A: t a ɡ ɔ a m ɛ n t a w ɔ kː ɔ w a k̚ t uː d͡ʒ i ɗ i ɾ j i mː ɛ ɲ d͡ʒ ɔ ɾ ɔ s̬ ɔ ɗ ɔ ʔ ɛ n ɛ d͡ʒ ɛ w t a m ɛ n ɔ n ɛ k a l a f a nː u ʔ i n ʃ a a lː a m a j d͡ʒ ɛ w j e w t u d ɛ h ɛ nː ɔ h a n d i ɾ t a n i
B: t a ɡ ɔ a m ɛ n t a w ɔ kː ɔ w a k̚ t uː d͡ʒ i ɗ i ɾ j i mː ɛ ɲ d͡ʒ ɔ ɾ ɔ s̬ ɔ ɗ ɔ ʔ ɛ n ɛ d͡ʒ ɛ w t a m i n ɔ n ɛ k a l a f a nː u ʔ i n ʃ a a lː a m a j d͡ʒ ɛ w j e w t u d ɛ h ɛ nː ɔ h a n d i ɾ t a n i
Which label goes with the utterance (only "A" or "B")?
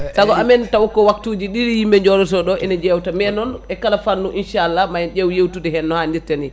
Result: A